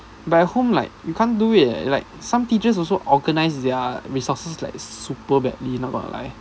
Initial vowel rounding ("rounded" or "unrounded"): unrounded